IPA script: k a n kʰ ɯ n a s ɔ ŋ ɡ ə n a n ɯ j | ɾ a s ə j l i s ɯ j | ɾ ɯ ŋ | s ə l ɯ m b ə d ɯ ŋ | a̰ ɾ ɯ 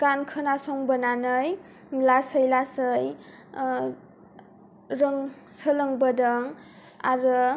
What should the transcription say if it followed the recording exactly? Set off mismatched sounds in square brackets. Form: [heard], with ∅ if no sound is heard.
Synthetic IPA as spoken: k a n kʰ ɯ n a s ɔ ŋ [b] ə n a n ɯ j | [l] a s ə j l [a] s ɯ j | ɾ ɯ ŋ | s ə l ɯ [ŋ] b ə d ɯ ŋ | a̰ ɾ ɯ

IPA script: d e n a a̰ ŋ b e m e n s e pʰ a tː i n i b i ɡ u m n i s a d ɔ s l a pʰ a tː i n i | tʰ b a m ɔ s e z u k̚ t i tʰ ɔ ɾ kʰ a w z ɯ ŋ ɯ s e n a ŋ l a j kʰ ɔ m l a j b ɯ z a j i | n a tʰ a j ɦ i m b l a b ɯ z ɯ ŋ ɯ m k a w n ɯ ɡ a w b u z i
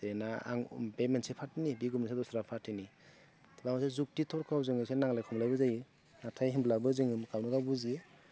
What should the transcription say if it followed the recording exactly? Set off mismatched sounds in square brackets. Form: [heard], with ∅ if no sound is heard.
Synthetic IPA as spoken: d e n a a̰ ŋ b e m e n s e pʰ a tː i n i b i ɡ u m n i s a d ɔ s [ɾ] a pʰ a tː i n i | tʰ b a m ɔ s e z u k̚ t i tʰ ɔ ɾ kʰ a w z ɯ ŋ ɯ s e n a ŋ l a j kʰ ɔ m l a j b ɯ z a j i | n a tʰ a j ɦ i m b l a b ɯ z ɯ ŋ ɯ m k a w n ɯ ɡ a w b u z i

